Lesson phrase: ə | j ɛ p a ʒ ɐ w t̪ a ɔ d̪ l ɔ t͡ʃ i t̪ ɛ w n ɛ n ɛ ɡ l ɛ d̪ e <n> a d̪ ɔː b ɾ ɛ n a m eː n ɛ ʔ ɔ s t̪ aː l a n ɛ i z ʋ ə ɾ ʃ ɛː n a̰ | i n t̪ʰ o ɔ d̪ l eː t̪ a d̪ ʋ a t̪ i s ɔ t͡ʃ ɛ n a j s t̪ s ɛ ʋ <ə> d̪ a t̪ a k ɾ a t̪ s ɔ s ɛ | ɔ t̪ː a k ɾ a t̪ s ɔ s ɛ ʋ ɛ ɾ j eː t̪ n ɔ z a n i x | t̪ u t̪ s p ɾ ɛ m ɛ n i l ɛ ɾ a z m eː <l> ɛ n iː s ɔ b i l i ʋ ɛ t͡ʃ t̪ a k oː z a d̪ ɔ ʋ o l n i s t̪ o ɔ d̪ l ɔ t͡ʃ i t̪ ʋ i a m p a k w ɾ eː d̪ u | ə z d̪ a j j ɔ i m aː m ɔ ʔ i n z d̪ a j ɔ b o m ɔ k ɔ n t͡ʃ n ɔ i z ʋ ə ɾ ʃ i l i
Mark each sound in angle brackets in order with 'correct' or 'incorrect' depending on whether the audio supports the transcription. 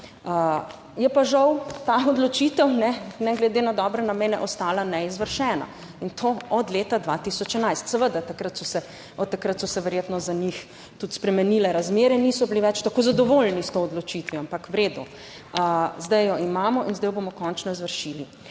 correct, correct, incorrect: ɾ

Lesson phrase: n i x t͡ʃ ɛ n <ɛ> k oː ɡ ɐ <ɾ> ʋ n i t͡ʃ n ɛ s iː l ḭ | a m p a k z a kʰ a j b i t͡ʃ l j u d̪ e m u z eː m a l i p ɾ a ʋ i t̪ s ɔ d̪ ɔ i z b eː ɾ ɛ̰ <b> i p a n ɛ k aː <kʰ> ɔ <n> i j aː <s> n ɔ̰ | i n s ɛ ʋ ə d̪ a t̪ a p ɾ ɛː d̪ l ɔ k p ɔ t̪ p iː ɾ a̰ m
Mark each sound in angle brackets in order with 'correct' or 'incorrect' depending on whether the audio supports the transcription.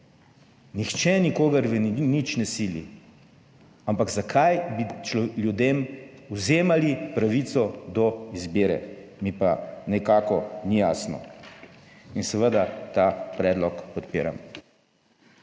incorrect: i, correct, incorrect: m, incorrect: k, correct, correct

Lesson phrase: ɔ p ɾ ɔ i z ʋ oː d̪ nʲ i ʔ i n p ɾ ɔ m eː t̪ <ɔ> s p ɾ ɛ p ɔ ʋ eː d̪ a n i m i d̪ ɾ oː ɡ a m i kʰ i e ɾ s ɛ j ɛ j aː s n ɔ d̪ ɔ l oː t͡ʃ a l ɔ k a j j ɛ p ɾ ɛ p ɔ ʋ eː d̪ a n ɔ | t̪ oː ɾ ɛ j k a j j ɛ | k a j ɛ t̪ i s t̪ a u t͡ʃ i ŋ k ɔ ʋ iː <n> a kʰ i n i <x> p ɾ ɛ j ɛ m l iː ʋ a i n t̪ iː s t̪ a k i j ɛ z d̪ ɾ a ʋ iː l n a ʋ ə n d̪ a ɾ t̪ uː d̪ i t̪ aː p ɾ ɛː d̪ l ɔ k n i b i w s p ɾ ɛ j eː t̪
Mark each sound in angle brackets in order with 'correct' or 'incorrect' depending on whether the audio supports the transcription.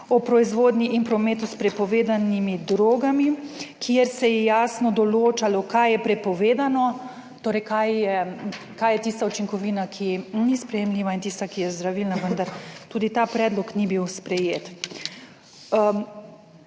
incorrect: u, correct, incorrect: s

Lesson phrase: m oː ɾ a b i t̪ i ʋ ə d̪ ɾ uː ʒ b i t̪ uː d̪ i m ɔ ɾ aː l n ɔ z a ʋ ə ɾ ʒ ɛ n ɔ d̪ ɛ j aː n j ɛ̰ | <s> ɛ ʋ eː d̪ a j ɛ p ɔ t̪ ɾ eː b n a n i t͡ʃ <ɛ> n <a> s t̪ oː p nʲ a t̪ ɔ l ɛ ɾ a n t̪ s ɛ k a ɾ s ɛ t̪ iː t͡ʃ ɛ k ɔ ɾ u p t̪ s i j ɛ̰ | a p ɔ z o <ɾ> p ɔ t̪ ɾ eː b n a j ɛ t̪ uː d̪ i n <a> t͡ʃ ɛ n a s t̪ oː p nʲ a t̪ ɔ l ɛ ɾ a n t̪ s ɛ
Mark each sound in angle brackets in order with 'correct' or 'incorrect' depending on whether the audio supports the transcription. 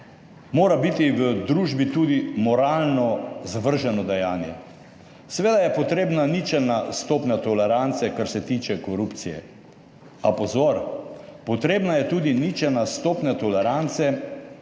correct, correct, correct, correct, incorrect: i

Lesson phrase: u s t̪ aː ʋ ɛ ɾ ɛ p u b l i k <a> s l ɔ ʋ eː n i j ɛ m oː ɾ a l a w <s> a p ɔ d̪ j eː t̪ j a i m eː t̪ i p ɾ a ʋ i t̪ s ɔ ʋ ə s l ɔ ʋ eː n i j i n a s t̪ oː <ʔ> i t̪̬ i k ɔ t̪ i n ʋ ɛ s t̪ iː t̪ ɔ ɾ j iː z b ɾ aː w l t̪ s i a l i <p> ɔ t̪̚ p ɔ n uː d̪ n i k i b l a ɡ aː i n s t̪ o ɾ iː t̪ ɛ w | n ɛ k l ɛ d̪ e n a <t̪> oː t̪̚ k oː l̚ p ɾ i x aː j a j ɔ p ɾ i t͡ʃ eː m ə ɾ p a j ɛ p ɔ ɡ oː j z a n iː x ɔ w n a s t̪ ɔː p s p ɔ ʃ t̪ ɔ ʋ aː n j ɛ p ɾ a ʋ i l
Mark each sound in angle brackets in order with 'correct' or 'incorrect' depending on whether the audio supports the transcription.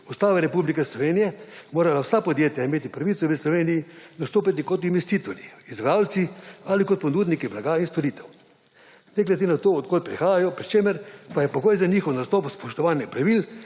incorrect: ɛ, correct, incorrect: p, incorrect: k, correct

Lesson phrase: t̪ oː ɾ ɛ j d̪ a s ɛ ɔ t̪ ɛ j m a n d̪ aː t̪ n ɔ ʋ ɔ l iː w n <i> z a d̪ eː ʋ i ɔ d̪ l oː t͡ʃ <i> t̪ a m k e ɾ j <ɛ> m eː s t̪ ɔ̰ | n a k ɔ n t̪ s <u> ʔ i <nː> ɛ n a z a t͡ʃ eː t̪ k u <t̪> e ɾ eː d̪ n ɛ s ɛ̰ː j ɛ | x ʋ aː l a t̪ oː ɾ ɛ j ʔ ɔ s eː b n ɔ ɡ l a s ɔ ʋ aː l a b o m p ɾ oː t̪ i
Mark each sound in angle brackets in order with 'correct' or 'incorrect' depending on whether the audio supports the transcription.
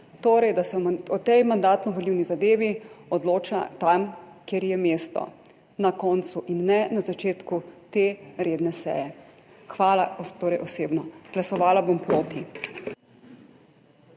correct, incorrect: a, correct, correct, correct, correct

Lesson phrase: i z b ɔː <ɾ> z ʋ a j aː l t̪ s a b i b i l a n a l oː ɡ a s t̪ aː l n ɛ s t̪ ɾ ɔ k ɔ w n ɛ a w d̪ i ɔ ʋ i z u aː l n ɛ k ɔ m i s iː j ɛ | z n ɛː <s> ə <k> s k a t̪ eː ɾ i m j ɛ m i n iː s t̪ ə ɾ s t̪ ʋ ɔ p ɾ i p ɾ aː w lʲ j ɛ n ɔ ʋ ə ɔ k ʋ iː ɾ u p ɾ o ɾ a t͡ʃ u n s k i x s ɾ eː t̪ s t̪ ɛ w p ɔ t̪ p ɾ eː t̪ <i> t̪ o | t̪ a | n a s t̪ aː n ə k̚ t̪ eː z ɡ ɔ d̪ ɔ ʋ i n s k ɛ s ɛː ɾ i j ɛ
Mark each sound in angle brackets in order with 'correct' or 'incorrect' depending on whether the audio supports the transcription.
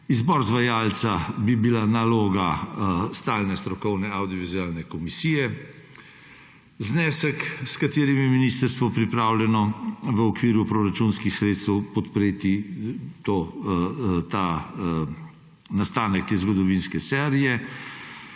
correct, correct, correct, correct

